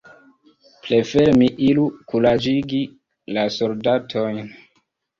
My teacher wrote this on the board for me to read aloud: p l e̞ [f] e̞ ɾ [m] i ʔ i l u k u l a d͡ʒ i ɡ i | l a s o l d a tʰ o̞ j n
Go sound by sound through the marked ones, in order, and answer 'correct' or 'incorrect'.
correct, correct

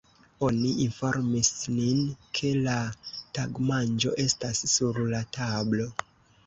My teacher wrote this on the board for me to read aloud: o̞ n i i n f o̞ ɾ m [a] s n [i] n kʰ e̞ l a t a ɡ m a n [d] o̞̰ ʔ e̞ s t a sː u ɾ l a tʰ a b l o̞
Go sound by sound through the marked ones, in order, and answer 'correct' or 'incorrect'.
incorrect: i, correct, incorrect: d͡ʒ

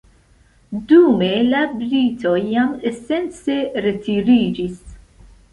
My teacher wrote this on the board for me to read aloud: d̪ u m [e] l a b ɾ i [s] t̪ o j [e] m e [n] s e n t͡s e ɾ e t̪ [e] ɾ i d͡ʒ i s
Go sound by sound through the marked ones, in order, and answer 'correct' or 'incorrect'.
correct, incorrect: none, incorrect: a, incorrect: none, incorrect: i

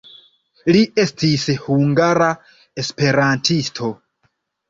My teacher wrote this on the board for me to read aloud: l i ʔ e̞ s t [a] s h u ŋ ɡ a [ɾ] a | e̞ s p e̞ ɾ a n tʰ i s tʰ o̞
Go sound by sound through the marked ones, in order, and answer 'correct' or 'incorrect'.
incorrect: i, correct

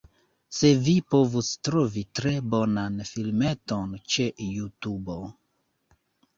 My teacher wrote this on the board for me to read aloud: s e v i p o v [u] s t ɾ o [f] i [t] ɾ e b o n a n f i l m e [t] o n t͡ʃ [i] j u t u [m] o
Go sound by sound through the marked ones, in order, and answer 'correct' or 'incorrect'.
correct, incorrect: v, correct, correct, incorrect: e, incorrect: b

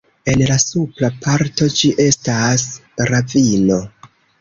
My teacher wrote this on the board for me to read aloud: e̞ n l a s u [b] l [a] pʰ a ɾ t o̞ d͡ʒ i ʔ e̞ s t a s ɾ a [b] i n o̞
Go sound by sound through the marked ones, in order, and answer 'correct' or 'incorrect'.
incorrect: p, correct, incorrect: v

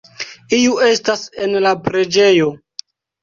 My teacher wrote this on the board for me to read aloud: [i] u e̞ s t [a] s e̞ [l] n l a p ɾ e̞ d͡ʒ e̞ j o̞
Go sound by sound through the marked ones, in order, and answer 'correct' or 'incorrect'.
correct, correct, incorrect: none

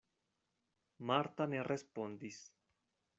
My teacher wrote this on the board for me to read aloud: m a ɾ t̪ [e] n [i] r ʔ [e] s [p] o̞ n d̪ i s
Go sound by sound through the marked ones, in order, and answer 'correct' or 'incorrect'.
incorrect: a, incorrect: e, correct, correct

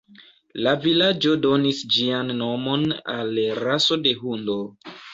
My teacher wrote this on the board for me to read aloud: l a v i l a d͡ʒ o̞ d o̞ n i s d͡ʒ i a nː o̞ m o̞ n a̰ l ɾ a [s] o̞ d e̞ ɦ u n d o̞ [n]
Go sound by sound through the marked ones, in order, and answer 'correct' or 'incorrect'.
correct, incorrect: none

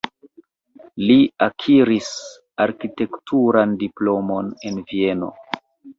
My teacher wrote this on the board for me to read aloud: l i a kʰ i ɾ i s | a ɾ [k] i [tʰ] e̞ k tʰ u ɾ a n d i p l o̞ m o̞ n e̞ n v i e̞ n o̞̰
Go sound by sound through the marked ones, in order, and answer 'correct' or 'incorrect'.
correct, incorrect: t

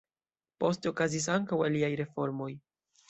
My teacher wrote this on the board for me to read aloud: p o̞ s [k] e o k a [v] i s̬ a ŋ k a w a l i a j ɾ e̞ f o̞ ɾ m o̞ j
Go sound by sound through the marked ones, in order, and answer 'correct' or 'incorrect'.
incorrect: t, incorrect: z

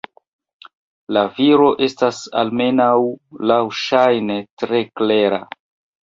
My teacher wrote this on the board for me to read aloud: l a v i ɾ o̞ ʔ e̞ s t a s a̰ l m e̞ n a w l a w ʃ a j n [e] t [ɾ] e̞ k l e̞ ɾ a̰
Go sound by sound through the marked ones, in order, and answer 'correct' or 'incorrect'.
correct, correct

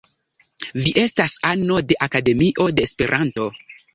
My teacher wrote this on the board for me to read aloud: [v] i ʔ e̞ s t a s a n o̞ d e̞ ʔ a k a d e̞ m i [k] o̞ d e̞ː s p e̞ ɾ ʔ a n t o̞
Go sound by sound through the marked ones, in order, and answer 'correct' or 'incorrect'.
correct, incorrect: ʔ

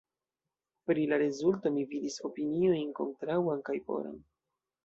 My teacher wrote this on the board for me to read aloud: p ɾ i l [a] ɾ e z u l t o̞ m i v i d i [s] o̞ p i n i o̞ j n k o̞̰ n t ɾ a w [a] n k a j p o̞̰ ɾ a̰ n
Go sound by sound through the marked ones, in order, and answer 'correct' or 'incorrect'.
correct, correct, correct

